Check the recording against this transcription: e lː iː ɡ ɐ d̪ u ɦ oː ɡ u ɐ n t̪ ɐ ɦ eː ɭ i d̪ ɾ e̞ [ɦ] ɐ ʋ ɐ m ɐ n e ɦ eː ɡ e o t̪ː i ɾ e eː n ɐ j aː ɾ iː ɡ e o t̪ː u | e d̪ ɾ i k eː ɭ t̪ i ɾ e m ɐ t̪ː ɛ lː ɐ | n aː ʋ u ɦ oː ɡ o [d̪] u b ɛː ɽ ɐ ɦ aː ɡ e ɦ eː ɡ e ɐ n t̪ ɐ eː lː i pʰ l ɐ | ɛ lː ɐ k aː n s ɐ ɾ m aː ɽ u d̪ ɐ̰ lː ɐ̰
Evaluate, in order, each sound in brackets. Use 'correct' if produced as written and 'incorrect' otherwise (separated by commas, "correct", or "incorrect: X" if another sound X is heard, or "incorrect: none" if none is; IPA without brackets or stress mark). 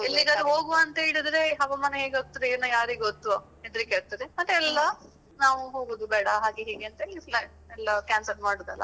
correct, correct